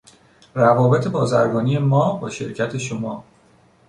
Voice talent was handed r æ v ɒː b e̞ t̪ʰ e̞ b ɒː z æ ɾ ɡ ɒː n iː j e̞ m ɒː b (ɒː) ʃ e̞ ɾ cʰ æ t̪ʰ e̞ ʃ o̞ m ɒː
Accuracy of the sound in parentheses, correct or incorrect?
correct